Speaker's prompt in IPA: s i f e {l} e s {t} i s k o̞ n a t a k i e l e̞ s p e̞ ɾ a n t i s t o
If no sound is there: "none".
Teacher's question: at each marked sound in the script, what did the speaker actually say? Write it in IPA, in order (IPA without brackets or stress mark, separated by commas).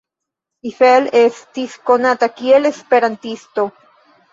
l, t